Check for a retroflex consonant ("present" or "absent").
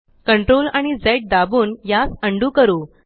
present